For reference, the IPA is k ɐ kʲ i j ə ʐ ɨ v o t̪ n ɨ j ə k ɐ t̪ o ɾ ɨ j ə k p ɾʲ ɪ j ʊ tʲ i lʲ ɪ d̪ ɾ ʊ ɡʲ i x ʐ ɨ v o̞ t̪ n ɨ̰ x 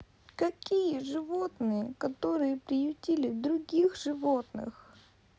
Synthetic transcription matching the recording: k ɐ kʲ i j ə ʐ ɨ v o t̪ n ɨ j ə k ɐ t̪ o ɾ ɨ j ə p ɾʲ ɪ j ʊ tʲ i lʲ ɪ d̪ ɾ ʊ ɡʲ i x ʐ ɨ v o̞ t̪ n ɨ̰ x